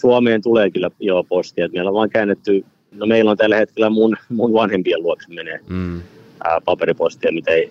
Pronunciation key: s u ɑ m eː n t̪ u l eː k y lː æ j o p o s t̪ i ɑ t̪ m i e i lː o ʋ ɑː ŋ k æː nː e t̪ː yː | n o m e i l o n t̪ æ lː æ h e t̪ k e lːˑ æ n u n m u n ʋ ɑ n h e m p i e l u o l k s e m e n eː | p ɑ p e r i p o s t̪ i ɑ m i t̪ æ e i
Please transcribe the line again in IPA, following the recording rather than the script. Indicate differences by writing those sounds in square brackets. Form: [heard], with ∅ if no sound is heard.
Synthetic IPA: s u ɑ m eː n t̪ u l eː k y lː æ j o p o s t̪ i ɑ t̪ m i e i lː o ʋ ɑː ŋ k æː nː e t̪ː [y] | n o m e i l o n t̪ æ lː æ h e t̪ k e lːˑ æ [m] u n m u n ʋ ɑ n h e m p i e l u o [∅] k s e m e n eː | p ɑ p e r i p o s t̪ i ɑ m i t̪ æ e i